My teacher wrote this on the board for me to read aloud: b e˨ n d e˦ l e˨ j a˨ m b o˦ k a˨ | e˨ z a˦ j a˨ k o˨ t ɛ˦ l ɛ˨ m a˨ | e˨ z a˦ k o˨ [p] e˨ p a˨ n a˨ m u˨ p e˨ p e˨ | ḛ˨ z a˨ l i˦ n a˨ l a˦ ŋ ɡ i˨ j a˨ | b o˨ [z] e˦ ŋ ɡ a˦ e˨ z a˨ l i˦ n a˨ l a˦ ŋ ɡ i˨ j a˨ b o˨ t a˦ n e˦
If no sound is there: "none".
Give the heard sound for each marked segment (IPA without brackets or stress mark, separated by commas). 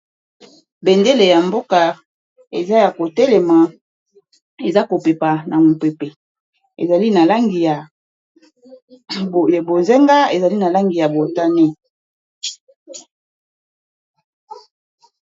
p, z